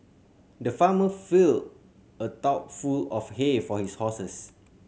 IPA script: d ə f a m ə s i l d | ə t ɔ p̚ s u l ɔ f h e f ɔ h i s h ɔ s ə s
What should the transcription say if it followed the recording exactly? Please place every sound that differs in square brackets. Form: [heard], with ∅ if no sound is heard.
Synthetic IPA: d ə f a m ə [f] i l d | ə t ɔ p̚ [f] u l ɔ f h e f ɔ h i s h ɔ s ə s